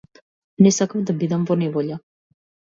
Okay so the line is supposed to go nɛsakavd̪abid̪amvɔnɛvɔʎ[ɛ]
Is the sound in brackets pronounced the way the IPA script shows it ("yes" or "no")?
no